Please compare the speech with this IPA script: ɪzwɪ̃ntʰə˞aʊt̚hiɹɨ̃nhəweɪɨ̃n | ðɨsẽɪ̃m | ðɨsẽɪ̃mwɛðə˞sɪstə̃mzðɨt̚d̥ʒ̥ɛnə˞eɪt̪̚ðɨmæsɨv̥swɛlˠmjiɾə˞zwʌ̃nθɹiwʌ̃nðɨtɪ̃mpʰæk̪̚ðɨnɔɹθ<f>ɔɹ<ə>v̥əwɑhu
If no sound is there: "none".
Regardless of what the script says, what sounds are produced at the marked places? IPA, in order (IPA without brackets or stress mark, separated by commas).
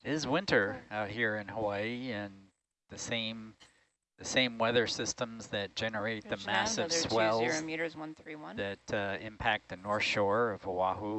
ʃ, ʌ